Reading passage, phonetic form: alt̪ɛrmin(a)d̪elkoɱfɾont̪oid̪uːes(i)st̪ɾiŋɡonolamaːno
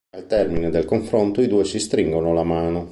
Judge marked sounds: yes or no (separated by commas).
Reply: no, yes